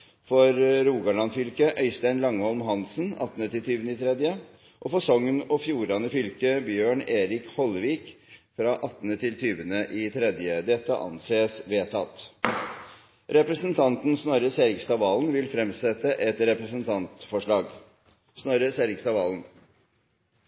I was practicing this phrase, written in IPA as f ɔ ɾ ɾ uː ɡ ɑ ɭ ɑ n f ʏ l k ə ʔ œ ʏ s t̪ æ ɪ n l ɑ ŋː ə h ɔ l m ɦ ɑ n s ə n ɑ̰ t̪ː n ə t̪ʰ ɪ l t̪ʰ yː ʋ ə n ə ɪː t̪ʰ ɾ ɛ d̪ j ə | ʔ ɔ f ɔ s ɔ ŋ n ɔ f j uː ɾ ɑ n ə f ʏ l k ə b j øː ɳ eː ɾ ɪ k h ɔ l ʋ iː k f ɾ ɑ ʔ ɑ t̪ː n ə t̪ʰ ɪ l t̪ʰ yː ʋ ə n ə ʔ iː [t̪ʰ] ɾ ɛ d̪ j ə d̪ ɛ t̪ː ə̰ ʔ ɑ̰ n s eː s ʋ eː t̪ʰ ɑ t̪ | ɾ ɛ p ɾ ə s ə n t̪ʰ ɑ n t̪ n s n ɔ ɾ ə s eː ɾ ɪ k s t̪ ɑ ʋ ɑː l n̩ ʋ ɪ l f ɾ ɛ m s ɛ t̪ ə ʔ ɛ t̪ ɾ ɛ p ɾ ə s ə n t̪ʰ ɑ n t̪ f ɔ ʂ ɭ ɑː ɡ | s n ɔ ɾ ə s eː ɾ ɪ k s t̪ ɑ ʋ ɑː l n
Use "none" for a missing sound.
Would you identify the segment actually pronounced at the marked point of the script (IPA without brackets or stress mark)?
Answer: t̪ʰ